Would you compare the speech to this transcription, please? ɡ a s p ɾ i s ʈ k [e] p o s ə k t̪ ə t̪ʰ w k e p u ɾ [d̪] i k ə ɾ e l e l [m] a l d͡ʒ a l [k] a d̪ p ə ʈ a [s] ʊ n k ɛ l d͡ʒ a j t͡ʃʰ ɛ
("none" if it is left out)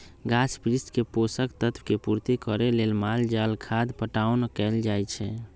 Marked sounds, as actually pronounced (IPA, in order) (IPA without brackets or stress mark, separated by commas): e, t̪, m, kʰ, none